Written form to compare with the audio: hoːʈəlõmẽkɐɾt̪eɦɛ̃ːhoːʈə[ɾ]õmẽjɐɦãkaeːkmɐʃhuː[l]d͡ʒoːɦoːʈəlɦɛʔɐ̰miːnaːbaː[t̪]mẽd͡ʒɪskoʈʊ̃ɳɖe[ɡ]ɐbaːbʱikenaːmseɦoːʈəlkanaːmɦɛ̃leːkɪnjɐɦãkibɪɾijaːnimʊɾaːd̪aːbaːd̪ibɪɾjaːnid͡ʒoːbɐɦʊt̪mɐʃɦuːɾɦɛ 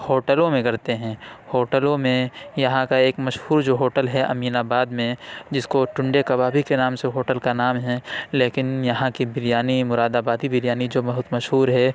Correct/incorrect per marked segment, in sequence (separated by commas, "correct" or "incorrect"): incorrect, incorrect, incorrect, incorrect